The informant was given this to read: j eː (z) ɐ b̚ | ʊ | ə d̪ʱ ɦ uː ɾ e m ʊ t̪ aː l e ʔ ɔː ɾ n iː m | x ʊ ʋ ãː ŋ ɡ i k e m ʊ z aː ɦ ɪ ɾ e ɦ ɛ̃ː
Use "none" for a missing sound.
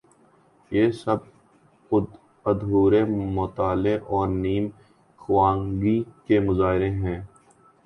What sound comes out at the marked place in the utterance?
s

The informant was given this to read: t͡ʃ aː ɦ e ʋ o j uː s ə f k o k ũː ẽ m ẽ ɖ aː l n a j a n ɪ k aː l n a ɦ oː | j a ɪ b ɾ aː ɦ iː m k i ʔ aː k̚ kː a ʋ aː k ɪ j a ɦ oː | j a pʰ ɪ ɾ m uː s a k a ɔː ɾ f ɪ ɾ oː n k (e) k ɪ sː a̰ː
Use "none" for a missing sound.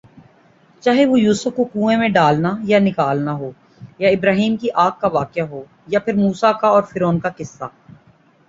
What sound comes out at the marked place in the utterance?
a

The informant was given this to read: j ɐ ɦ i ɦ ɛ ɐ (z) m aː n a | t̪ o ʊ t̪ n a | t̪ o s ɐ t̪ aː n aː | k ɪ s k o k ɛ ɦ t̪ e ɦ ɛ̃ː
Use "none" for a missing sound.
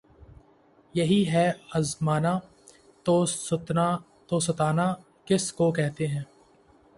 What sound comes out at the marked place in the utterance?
z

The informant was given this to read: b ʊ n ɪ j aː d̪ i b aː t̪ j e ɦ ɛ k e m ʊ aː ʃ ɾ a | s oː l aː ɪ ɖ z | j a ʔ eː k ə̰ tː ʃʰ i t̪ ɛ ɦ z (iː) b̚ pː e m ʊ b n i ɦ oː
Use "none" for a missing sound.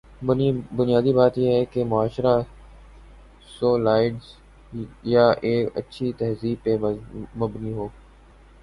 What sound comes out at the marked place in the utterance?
iː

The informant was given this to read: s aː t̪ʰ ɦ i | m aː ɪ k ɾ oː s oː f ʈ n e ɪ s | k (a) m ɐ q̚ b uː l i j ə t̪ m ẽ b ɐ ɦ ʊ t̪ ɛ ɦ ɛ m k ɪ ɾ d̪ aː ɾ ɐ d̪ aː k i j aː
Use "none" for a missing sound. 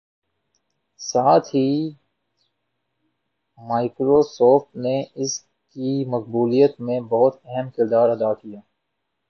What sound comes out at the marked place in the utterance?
i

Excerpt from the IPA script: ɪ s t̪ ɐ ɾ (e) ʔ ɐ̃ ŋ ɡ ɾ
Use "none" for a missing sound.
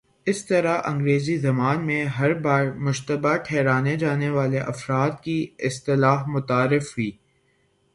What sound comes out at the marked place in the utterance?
a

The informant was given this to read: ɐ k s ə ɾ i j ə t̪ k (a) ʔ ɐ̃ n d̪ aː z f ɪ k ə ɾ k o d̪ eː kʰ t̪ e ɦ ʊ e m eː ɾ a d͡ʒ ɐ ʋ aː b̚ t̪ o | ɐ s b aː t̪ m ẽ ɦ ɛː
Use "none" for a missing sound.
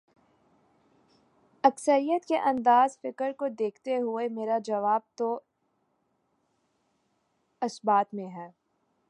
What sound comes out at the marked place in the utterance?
e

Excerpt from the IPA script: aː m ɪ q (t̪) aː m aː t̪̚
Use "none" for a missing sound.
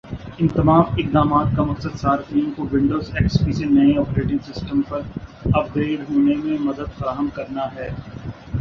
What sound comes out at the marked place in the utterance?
d̪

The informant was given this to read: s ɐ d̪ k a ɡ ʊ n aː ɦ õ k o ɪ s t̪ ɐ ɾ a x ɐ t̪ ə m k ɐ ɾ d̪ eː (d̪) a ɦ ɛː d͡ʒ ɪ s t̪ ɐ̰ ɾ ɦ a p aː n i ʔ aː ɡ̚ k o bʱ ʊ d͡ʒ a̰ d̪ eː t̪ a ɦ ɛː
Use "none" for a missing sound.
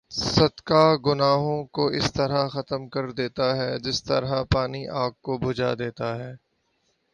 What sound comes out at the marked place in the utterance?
t̪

